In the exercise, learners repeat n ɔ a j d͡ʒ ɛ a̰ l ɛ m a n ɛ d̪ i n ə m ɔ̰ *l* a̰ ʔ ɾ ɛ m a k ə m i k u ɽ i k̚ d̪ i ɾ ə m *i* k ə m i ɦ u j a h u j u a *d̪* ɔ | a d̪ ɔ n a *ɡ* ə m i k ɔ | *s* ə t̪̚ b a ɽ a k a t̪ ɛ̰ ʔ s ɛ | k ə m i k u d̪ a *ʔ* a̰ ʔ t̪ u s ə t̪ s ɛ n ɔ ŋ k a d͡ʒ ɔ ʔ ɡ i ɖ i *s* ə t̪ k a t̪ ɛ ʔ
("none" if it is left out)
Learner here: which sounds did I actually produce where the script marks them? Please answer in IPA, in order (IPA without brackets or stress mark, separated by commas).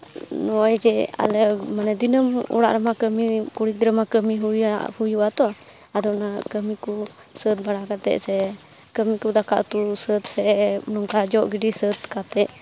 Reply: ɽ, a, t̪, k, s, k, s